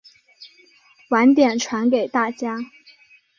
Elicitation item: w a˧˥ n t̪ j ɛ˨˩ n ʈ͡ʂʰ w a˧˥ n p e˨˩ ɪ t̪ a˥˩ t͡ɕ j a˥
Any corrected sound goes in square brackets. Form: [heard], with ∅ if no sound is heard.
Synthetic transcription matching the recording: w a˧˥ n t̪ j ɛ˨˩ n ʈ͡ʂʰ w a˧˥ n [k] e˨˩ ɪ t̪ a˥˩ t͡ɕ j a˥

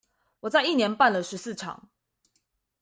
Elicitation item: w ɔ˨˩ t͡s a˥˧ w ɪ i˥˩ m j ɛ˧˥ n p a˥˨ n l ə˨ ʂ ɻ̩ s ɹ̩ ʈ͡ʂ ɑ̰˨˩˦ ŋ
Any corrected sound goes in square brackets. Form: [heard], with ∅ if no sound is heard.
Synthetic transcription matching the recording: w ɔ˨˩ t͡s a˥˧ [∅] ɪ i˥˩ [n] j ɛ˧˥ n p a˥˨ n l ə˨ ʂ ɻ̩ s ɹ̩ [ʈ͡ʂʰ] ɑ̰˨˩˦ ŋ

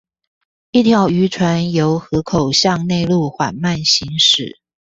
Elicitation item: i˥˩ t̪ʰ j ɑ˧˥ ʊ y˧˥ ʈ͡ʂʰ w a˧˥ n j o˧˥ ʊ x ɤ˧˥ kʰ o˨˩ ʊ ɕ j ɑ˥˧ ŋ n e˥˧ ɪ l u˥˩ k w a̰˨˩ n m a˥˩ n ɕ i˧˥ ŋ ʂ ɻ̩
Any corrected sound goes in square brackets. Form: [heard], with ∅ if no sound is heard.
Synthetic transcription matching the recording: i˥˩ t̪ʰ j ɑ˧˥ ʊ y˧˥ ʈ͡ʂʰ w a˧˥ n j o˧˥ ʊ x ɤ˧˥ kʰ o˨˩ ʊ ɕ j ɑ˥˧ ŋ n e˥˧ ɪ l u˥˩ [x] w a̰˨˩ n m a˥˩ n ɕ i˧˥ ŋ ʂ ɻ̩

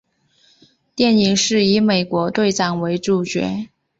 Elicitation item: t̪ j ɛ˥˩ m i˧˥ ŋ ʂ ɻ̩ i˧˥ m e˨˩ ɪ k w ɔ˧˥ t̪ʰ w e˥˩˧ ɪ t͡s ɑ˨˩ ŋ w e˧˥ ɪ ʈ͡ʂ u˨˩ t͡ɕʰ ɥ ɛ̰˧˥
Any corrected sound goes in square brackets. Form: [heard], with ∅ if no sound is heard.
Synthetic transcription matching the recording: t̪ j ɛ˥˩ [n] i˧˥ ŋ ʂ ɻ̩ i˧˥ m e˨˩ ɪ k w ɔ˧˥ [t̪] w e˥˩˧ ɪ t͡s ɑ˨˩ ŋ w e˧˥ ɪ ʈ͡ʂ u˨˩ [t͡ɕ] ɥ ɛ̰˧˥

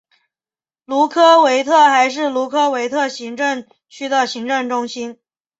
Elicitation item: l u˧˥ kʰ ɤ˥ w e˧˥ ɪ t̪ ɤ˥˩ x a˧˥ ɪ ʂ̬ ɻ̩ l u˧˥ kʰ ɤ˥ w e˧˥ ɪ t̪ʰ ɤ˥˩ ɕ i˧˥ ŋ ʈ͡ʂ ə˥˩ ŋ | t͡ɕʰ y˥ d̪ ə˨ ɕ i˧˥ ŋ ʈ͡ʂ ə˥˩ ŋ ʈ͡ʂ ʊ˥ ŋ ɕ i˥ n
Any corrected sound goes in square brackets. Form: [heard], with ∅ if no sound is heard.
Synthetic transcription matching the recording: l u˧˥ kʰ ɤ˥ w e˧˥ ɪ [t̪ʰ] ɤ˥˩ x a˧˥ ɪ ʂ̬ ɻ̩ l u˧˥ kʰ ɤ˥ w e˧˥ ɪ t̪ʰ ɤ˥˩ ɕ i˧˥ ŋ ʈ͡ʂ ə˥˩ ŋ | t͡ɕʰ y˥ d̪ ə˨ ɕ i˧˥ ŋ ʈ͡ʂ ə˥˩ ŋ ʈ͡ʂ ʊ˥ ŋ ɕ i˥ n

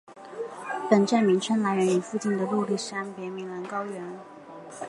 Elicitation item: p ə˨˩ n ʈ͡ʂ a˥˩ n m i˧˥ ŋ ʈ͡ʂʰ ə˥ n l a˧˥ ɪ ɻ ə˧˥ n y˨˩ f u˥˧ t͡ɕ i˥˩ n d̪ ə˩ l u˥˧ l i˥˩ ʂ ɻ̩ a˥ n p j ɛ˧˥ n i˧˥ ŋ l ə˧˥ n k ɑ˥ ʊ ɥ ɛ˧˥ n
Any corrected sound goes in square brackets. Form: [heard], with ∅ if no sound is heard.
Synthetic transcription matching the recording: p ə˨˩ n ʈ͡ʂ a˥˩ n m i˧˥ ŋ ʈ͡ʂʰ ə˥ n l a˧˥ ɪ ɻ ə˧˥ n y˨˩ f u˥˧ t͡ɕ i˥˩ n d̪ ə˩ l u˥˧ l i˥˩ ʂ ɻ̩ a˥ n p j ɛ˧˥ [m] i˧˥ ŋ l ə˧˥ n k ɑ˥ ʊ ɥ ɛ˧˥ n

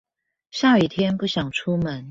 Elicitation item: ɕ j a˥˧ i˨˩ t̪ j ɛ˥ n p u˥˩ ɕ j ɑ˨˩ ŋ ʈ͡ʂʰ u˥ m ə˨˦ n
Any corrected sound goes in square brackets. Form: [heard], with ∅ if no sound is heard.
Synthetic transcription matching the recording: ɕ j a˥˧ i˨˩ [t̪ʰ] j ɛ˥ n p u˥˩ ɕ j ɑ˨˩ ŋ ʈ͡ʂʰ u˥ m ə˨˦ n

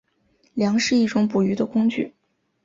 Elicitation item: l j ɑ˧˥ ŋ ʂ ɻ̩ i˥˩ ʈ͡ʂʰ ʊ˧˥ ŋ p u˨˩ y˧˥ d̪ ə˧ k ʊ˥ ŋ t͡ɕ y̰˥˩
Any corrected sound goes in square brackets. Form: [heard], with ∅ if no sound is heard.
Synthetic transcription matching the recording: l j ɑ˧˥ ŋ ʂ ɻ̩ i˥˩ [ʈ͡ʂ] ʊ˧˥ ŋ p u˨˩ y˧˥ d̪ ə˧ k ʊ˥ ŋ t͡ɕ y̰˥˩

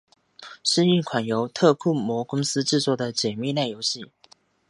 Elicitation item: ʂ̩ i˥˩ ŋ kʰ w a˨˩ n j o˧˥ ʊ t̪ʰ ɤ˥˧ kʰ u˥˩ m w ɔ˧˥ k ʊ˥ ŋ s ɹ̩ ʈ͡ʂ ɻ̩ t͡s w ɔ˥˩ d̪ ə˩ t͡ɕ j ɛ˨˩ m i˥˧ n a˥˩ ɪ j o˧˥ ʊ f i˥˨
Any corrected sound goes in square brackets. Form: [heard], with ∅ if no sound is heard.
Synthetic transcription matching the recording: ʂ̩ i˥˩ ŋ kʰ w a˨˩ n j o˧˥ ʊ t̪ʰ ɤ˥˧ kʰ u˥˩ m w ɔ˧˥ k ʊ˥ ŋ s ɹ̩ ʈ͡ʂ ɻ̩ t͡s w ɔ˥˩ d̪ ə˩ t͡ɕ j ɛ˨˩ m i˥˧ n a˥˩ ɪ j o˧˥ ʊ [ɕ] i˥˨

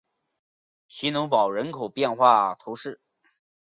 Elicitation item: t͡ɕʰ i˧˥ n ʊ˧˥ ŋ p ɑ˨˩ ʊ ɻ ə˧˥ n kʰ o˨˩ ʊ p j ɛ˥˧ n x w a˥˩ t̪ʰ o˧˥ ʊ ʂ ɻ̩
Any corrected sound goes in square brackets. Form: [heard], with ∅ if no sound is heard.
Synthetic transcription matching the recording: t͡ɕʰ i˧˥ n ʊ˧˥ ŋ p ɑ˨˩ ʊ ɻ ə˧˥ n kʰ o˨˩ ʊ p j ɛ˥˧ n x w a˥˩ t̪ʰ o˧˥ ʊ ʂ ɻ̩

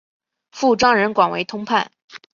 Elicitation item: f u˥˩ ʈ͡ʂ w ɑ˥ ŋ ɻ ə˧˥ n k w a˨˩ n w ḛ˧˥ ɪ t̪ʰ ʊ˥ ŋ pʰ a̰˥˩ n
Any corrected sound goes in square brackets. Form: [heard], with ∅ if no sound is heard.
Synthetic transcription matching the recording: f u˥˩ ʈ͡ʂ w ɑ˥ ŋ ɻ ə˧˥ n k w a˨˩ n w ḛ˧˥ ɪ t̪ʰ ʊ˥ ŋ pʰ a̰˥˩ n

